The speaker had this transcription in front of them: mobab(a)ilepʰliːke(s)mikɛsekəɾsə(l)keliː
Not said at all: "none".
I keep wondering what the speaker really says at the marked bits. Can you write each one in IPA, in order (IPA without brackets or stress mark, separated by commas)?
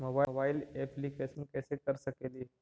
a, s, none